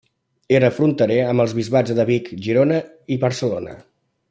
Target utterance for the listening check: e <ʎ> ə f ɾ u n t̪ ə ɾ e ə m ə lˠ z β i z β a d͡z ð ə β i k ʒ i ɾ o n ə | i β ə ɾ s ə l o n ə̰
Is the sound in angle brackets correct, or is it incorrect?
incorrect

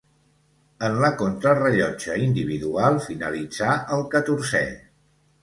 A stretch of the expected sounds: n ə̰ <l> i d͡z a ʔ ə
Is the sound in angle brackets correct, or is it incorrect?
correct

